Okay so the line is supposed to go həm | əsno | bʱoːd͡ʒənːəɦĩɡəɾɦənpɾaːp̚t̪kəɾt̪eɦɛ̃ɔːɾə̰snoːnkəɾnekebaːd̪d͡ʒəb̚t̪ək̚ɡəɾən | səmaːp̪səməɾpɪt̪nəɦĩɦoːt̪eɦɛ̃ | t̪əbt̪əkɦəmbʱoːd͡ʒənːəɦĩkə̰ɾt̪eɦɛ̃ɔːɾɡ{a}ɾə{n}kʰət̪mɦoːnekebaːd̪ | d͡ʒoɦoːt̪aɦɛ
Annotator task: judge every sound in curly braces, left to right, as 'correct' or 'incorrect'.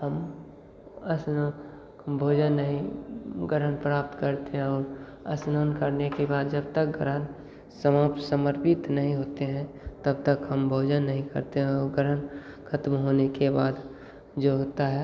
incorrect, correct

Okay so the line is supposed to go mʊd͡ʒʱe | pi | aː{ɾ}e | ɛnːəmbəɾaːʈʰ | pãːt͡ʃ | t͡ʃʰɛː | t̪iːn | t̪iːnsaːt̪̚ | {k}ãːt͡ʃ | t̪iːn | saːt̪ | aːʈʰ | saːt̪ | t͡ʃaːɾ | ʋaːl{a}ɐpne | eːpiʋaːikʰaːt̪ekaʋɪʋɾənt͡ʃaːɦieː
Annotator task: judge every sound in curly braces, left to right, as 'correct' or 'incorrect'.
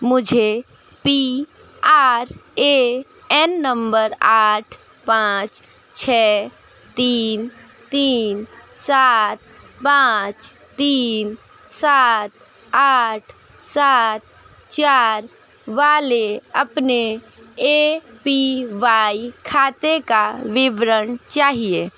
correct, incorrect, incorrect

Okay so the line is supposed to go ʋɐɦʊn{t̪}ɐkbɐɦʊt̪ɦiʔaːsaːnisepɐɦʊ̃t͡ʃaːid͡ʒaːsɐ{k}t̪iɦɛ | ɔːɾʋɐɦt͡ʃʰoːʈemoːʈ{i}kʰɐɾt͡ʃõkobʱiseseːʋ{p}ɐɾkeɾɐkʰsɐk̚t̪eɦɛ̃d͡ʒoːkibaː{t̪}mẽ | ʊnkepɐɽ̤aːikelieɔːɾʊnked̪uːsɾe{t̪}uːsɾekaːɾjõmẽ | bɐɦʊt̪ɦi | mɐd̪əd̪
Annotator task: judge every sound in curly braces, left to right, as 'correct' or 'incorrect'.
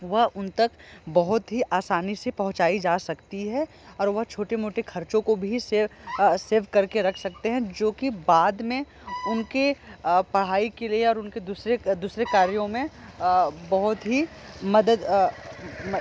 correct, correct, incorrect, incorrect, incorrect, incorrect

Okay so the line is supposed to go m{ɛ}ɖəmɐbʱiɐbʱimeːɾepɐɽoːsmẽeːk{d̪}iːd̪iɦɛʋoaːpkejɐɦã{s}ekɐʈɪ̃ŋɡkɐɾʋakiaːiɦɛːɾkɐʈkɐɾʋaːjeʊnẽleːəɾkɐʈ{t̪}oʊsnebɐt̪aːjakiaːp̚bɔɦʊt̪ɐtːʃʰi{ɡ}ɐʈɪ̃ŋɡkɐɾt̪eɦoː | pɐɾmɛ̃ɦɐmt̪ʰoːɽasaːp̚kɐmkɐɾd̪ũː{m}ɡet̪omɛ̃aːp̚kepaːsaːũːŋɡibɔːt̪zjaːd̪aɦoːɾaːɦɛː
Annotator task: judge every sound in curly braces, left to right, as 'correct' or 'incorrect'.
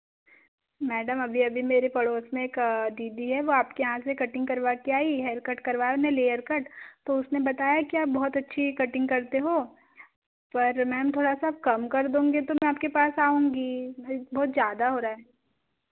incorrect, correct, correct, correct, incorrect, incorrect

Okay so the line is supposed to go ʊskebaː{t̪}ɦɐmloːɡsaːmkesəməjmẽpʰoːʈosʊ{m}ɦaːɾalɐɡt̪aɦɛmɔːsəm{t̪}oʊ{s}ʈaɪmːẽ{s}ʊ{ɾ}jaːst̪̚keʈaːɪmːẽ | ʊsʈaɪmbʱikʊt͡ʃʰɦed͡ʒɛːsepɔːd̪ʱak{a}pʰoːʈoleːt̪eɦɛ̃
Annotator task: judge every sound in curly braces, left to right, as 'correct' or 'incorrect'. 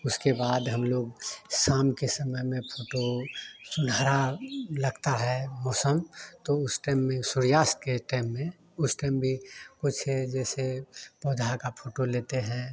incorrect, incorrect, correct, correct, correct, correct, correct

